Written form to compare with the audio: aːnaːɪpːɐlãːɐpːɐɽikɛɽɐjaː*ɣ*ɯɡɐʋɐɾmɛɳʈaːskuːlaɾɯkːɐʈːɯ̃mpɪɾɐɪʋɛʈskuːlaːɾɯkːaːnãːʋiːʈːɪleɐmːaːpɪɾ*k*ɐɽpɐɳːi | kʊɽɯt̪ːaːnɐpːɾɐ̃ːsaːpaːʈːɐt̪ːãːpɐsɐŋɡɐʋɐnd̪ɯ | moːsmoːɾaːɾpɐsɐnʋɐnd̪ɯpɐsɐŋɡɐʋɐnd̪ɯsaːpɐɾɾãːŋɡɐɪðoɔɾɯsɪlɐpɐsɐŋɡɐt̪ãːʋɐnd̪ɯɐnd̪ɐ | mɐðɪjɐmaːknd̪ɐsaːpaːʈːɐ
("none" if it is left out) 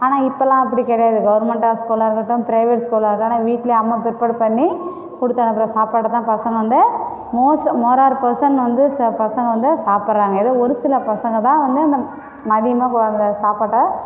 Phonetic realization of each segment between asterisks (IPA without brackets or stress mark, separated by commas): ð, p